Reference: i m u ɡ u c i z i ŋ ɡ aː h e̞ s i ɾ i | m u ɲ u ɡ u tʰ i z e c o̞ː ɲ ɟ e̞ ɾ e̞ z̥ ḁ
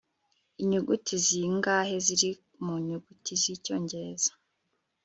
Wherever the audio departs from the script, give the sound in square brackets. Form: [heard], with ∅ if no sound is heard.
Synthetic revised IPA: i [ɲ] u ɡ u [t] i z i ŋ ɡ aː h e̞ [z] i ɾ i | m u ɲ u ɡ u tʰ i z [i] c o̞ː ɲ ɟ e̞ ɾ e̞ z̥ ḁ